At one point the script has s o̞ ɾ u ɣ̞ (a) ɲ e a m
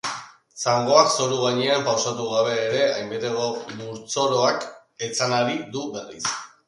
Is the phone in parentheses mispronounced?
no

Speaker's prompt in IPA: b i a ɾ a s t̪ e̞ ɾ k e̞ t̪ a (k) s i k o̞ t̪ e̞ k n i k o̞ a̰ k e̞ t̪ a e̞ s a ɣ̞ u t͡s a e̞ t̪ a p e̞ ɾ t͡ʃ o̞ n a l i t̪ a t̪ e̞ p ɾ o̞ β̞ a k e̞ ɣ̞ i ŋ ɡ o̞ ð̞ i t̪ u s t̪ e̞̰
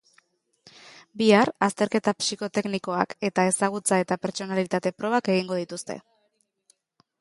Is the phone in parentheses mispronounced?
yes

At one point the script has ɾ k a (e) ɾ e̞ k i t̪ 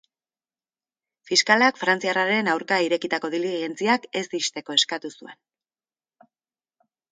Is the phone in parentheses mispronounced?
yes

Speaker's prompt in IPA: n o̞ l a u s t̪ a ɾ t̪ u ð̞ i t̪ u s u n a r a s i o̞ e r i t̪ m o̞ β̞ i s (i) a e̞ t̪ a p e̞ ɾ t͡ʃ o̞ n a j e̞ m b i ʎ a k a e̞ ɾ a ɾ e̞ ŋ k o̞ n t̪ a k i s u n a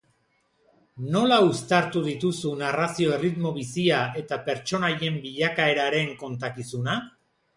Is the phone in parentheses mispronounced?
no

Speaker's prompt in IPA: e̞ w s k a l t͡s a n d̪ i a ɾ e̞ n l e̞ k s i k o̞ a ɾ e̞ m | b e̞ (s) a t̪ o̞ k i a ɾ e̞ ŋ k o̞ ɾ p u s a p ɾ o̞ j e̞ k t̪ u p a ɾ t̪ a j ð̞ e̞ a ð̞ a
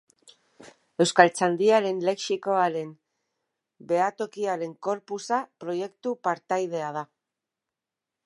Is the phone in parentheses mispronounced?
yes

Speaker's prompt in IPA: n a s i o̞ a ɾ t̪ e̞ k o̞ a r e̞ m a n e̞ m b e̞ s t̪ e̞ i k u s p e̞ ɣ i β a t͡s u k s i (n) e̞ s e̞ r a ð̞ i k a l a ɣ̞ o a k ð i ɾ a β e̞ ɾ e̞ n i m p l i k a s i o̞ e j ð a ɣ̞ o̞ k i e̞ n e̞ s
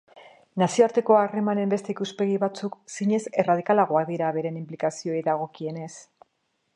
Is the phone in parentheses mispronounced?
yes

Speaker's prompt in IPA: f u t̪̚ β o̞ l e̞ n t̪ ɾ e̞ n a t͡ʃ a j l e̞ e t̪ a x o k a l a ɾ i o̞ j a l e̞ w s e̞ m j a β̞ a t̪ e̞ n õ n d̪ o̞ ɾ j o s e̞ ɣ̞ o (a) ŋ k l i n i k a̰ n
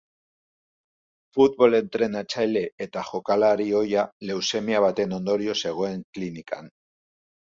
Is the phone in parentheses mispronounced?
yes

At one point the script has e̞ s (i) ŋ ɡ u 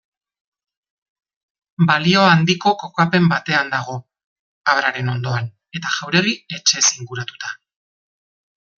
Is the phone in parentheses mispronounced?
no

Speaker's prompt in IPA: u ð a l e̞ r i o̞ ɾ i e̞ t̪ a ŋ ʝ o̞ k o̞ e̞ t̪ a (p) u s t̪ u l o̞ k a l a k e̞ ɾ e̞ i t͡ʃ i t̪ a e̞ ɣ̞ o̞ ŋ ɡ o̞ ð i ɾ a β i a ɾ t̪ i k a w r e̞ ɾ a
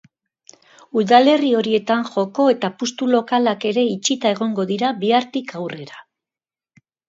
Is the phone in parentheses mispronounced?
no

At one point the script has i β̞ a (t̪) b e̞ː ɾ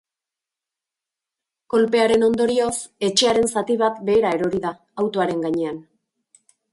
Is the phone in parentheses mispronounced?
no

